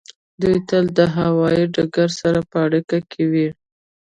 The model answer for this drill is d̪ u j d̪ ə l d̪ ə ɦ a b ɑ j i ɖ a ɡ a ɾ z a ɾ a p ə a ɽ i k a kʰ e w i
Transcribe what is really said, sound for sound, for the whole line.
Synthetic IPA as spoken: d̪ u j t̪ ə l d̪ ə ɦ a w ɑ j i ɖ a ɡ a ɾ s a ɾ a p ə a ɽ i k a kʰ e w i